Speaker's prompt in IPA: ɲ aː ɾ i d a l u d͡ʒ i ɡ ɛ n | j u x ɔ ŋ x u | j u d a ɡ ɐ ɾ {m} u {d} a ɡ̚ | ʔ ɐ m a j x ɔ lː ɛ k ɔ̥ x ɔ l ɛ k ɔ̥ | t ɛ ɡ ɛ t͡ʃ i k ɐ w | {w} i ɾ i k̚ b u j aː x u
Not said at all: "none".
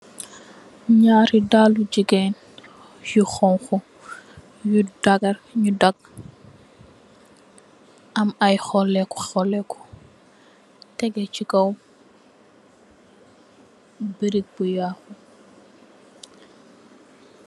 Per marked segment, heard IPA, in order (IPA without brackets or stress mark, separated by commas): ɲ, d, b